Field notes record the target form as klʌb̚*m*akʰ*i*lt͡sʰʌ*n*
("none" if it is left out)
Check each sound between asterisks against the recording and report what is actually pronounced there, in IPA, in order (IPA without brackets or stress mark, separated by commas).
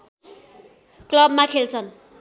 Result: m, e, n